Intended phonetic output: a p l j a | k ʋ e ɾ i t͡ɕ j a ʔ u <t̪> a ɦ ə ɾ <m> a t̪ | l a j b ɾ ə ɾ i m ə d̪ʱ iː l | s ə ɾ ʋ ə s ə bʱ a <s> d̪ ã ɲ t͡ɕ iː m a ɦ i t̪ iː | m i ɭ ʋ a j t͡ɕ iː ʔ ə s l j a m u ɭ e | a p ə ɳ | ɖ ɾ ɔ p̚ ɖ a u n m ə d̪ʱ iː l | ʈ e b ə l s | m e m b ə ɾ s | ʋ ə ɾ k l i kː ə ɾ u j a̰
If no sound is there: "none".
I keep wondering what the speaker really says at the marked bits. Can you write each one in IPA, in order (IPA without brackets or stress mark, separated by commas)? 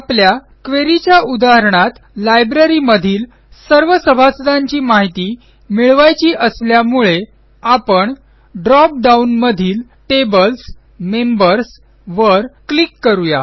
d̪, ɳ, s